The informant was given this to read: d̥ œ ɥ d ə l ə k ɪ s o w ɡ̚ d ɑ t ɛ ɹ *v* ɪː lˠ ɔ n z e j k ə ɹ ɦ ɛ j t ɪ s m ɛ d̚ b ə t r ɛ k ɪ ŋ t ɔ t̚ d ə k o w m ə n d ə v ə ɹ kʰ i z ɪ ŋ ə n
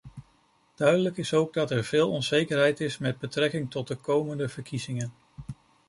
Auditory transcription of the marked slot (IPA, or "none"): v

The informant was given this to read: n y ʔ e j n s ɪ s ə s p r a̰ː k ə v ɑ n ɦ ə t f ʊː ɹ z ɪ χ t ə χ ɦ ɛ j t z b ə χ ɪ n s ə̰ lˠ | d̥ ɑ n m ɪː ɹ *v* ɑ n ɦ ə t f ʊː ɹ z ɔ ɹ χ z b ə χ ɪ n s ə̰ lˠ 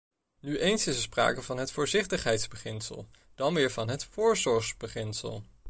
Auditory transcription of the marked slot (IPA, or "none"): v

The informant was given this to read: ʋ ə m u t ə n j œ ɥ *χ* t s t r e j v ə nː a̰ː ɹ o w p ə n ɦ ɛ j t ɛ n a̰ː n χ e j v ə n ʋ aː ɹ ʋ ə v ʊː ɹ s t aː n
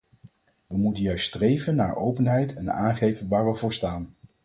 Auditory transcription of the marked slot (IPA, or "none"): s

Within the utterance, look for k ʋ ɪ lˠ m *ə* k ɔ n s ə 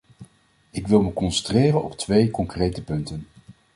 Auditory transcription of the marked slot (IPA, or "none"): ə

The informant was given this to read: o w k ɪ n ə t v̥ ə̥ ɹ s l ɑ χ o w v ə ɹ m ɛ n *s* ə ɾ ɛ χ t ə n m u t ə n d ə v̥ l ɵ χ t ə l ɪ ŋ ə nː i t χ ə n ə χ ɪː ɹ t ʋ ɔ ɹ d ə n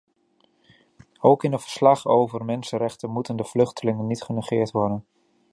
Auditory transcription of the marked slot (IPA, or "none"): s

